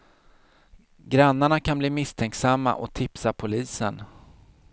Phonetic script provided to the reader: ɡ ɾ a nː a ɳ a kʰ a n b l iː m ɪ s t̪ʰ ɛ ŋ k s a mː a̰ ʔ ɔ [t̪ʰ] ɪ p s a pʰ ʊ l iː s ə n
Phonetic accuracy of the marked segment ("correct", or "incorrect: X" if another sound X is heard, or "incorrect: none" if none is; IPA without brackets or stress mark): correct